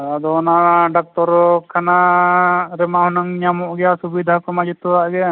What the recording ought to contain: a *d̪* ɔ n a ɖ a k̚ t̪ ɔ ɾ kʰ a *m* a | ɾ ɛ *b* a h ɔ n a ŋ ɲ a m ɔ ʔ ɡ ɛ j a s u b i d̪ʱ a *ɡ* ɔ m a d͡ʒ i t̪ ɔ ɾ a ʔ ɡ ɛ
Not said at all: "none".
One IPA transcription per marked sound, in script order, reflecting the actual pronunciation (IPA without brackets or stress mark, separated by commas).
d̪, n, m, k